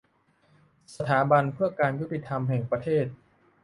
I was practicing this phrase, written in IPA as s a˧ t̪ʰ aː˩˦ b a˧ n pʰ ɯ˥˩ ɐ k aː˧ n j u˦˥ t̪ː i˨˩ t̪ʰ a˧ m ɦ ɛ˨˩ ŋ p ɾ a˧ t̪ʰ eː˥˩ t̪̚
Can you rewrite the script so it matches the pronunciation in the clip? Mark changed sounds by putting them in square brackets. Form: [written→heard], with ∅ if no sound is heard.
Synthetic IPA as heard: s a˧ t̪ʰ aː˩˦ b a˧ n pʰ ɯ˥˩ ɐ k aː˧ n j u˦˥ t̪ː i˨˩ t̪ʰ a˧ m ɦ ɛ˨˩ ŋ p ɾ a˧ t̪ʰ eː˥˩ t̪̚